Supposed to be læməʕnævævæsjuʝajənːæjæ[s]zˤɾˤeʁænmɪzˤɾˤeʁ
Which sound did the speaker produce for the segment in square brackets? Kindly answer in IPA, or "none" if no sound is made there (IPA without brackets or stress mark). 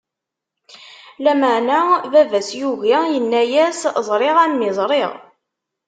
s